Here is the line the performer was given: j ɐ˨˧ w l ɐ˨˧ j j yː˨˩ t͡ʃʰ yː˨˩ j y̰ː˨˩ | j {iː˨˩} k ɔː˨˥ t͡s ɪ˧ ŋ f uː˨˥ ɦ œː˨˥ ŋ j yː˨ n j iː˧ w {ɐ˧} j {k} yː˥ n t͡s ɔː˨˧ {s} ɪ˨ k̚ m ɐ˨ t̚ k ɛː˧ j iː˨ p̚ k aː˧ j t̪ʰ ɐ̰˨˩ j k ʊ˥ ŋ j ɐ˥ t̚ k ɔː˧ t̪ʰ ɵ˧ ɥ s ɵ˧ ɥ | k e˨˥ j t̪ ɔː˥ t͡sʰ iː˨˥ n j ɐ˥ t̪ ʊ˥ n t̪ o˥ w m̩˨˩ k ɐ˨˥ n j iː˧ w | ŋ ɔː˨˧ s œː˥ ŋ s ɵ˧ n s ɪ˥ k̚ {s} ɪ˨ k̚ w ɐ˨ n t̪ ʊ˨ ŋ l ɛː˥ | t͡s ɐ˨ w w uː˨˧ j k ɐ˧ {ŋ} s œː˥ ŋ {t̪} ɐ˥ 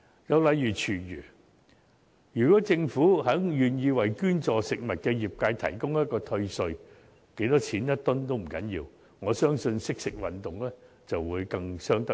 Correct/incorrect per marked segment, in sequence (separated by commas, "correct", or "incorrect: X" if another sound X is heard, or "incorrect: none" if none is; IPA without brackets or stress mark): incorrect: yː˨˩, incorrect: ɐ˨˩, correct, correct, correct, correct, correct